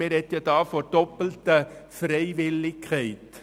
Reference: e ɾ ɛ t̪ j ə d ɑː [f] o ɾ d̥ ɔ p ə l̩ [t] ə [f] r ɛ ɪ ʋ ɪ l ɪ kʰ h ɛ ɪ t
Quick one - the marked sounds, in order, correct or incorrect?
correct, correct, correct

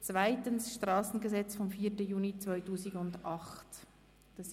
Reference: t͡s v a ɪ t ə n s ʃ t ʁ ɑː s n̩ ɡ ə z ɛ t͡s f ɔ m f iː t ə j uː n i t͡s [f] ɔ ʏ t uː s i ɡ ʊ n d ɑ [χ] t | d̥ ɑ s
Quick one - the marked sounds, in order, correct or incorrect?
incorrect: v, correct

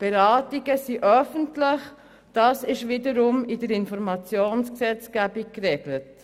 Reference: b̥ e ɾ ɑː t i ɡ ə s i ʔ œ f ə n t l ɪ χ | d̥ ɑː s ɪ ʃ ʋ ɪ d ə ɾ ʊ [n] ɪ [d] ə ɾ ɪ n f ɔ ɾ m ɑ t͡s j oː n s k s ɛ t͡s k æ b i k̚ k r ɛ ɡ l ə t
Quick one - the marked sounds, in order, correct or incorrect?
incorrect: m, correct

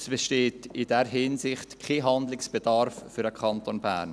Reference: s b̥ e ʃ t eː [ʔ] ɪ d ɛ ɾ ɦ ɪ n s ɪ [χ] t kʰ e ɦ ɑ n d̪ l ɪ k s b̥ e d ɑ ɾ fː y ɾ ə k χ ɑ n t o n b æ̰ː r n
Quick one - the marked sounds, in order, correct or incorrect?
incorrect: t, correct

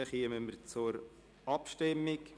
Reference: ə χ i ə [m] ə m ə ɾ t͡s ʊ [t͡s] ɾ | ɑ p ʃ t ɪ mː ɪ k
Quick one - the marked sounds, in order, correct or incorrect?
correct, incorrect: none

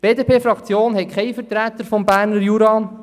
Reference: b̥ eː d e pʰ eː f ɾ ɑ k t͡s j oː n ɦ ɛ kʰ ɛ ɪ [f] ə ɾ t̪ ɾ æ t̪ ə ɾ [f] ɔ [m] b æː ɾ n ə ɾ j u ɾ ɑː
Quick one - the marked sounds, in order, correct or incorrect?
correct, correct, correct

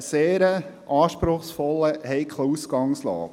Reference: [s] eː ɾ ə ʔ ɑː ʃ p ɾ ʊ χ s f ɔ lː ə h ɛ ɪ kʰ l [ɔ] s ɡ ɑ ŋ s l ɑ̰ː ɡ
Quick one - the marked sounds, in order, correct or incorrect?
correct, incorrect: u

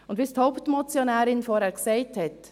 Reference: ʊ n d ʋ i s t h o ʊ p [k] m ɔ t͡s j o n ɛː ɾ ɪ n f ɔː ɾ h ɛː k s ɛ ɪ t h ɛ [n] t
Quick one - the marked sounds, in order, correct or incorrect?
incorrect: t, incorrect: none

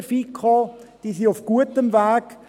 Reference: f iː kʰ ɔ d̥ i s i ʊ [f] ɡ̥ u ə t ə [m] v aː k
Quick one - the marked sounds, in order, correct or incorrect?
correct, correct

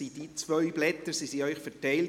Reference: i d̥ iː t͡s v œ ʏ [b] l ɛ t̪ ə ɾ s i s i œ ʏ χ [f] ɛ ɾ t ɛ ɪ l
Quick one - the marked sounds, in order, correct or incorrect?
correct, correct

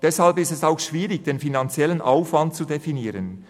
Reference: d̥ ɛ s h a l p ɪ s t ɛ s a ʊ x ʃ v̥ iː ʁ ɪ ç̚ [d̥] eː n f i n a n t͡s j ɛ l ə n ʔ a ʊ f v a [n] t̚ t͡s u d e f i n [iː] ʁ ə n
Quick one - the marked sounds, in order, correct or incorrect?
correct, correct, correct

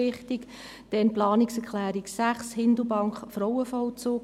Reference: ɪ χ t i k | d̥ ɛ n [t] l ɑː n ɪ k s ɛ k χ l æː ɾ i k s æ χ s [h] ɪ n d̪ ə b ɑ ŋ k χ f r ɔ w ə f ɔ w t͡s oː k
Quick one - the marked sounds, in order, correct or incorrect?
incorrect: p, correct

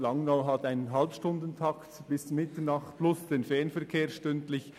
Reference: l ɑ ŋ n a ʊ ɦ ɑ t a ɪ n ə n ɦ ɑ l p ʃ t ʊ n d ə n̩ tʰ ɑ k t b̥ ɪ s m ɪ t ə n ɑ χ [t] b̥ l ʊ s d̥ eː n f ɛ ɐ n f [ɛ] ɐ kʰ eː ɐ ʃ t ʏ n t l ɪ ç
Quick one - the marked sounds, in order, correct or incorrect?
correct, correct

